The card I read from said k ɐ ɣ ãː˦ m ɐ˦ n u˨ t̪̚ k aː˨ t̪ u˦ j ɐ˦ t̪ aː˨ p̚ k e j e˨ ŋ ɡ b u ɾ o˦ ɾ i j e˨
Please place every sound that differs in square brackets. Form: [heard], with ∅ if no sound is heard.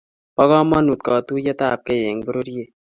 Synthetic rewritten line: [p] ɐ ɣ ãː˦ m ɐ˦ n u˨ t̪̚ k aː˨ t̪ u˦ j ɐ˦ t̪ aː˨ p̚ k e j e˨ ŋ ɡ b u ɾ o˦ ɾ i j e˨